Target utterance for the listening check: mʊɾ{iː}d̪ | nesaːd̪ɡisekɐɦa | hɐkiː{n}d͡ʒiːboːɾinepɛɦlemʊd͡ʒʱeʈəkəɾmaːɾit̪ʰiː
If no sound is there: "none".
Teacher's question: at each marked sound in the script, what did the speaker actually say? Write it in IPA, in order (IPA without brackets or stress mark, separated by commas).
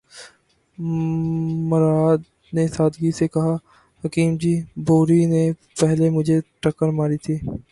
aː, m